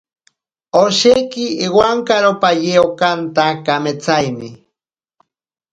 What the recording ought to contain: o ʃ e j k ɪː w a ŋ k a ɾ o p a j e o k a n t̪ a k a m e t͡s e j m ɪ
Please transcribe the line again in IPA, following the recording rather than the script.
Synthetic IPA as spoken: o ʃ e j k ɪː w a ŋ k a ɾ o p a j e o k a n t̪ a k a m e t͡s a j m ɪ

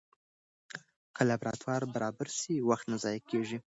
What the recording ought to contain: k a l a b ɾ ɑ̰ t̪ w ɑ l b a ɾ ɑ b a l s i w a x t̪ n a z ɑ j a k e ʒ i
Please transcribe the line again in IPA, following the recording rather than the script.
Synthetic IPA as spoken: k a l a b ɾ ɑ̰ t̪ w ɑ ɾ b a ɾ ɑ b a ɾ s i w a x t̪ n a z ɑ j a k e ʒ i

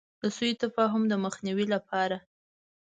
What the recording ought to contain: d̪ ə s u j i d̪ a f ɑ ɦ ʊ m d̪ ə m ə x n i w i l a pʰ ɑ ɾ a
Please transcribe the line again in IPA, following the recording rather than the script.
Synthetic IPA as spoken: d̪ ə s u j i t̪ a f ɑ ɦ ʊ m d̪ ə m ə x n i w i l a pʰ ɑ ɾ a

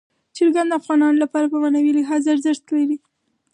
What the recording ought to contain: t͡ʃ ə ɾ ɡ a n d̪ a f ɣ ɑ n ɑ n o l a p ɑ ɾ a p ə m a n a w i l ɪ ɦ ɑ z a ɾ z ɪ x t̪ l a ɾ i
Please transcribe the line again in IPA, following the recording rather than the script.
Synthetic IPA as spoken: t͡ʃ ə ɾ ɡ a n d̪ a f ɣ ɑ n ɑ n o l a p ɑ ɾ a p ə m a n a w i l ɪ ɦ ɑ z a ɾ z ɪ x t̪ l a ɾ i

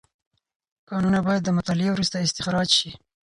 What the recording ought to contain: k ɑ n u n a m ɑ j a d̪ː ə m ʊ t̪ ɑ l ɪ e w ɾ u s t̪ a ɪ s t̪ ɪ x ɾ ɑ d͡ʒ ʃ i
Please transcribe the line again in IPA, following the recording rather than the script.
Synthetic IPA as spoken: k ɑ n u n a b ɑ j a d̪ː ə m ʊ t̪ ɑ l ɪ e w ɾ u s t̪ a ɪ s t̪ ɪ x ɾ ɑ d͡ʒ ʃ i

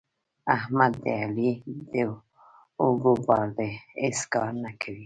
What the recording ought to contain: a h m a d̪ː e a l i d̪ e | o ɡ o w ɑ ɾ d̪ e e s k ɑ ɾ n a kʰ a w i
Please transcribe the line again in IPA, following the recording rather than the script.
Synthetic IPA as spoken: a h m a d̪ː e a l i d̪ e | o ɡ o b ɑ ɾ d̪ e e s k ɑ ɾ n a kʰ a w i

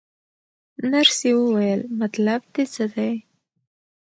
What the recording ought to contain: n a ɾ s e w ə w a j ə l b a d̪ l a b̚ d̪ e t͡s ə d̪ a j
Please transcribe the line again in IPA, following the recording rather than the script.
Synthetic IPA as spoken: n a ɾ s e w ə w a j ə l m a t̪ l a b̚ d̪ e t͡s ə d̪ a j

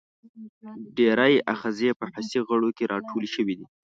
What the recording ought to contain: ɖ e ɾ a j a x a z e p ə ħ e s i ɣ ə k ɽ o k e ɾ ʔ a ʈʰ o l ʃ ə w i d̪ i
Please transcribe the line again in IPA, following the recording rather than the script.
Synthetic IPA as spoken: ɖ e ɾ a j a x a z e p ə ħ a s i ɣ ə ɽ o k e ɾ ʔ ɑ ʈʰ o l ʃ ə w i d̪ i

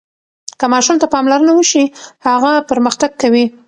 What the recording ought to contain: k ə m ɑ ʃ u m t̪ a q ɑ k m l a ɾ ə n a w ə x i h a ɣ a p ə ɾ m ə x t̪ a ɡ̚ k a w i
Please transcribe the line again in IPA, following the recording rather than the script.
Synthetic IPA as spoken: k ə m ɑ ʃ u m t̪ a p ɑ m l a ɾ ə n a w ə ʃ i h a ɣ a p ə ɾ m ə x t̪ a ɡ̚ k a w i

